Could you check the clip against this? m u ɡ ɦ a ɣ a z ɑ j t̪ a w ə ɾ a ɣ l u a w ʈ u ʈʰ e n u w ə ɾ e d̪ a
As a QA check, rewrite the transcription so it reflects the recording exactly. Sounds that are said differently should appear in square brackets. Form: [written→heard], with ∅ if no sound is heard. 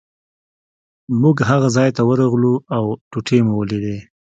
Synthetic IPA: m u ɡ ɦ a ɣ a z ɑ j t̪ a w ə ɾ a ɣ l u a w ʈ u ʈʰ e [n→m] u w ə [ɾ→l] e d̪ [a→e]